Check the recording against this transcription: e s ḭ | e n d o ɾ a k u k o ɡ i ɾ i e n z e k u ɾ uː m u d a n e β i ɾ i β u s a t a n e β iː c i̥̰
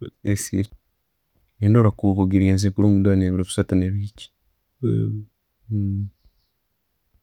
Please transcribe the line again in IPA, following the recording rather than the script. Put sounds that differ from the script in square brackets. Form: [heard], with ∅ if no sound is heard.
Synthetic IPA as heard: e s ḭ | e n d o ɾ a k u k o ɡ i ɾ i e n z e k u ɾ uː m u d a n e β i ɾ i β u s a t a n e β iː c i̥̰

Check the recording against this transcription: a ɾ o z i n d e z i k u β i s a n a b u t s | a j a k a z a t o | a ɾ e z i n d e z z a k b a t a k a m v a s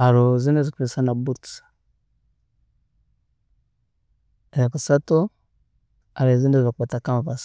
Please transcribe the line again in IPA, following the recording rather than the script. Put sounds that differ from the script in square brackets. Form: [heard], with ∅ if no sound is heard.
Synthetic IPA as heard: a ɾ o z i n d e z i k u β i s a n a b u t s | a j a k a [s] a t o | a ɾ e z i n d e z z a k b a t a k a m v a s

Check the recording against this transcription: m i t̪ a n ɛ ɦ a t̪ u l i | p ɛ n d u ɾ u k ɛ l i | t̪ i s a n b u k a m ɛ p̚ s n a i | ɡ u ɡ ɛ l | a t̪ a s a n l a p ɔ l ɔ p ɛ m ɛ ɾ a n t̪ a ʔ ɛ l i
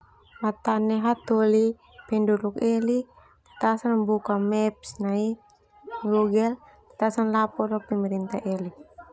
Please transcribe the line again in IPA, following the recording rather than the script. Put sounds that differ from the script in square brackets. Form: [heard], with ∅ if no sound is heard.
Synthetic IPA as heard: m [a] t̪ a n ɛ ɦ a t̪ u l i | p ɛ n d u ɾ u k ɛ l i | t̪ [a] s a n b u k a m ɛ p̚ s n a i | ɡ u ɡ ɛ l | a t̪ a s a n l a p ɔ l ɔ p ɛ m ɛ ɾ [i] n t̪ a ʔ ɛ l i

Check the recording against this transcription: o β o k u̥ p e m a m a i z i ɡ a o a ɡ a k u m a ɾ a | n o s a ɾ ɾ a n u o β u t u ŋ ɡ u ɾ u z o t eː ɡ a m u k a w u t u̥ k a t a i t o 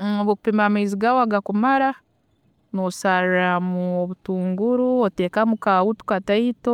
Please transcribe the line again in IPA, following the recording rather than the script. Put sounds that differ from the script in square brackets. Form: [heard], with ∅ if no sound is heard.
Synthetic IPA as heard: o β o k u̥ p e m a m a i z i ɡ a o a ɡ a k u m a ɾ a | n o s a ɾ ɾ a [m] u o β u t [uː] ŋ ɡ u ɾ u [∅] o t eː [k] a m u k a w u t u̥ k a t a i t o

